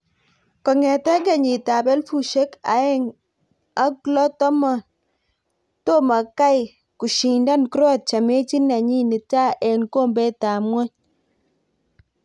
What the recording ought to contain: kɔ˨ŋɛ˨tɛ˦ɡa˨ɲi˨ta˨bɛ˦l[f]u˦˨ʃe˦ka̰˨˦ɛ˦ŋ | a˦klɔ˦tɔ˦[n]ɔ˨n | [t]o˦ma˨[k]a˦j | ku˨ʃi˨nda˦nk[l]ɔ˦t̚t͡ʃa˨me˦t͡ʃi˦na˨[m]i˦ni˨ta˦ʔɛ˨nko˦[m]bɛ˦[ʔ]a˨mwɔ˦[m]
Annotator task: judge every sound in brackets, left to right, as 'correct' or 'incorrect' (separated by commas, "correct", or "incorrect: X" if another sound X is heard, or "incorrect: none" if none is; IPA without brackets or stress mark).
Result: correct, incorrect: m, correct, correct, incorrect: ɾ, incorrect: ɲ, correct, incorrect: t, incorrect: ɲ